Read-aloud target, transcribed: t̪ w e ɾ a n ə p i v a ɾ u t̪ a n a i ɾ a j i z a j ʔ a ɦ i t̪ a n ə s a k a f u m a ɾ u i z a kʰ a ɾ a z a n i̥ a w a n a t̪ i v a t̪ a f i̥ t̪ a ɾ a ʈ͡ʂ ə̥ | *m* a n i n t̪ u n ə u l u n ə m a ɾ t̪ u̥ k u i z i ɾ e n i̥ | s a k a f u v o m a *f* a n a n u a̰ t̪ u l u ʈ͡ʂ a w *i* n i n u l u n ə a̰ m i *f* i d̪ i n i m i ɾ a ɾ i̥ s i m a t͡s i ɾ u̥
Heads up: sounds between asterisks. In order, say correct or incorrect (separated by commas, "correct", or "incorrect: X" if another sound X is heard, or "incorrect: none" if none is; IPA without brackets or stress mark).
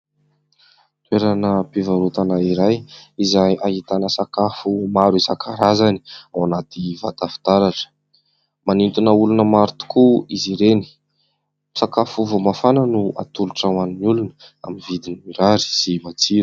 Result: correct, correct, incorrect: a, incorrect: v